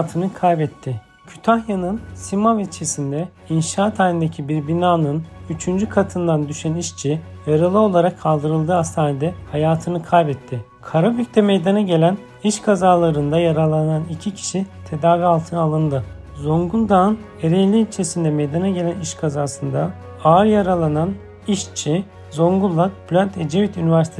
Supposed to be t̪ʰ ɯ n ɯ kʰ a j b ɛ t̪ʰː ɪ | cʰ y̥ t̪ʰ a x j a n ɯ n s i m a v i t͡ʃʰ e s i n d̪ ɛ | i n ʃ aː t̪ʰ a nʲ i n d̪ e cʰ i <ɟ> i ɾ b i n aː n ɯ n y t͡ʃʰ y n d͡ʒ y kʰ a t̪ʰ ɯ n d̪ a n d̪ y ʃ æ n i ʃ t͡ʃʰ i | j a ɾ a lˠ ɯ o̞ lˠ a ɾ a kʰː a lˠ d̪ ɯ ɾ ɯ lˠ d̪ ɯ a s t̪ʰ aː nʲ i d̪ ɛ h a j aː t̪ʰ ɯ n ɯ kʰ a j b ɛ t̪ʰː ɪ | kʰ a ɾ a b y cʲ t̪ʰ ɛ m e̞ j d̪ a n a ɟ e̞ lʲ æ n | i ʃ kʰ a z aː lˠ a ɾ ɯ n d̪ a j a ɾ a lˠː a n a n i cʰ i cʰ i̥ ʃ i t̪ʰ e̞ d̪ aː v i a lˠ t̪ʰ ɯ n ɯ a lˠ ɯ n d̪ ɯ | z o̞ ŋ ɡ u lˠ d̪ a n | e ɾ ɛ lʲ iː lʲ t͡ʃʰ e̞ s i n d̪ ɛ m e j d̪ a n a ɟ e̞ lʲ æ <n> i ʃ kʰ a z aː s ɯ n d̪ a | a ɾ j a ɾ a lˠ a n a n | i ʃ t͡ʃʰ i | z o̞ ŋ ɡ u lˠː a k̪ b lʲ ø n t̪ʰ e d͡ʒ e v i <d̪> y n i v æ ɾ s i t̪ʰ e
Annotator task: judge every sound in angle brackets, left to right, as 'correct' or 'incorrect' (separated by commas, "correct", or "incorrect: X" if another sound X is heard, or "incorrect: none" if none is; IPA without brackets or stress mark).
incorrect: b, correct, incorrect: t̪